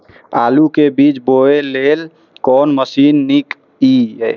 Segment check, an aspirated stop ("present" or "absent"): absent